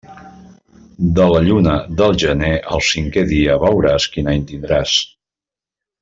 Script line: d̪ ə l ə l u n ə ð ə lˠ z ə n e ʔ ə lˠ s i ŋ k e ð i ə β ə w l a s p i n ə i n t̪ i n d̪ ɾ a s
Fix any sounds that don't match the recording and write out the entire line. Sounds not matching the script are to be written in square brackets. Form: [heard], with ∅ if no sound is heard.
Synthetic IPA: d̪ ə l ə [ʎ] u n ə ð ə lˠ [ʒ] ə n e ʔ ə lˠ s i ŋ k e ð i ə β ə w [ɾ] a s [k] i n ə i n t̪ i n d̪ ɾ a s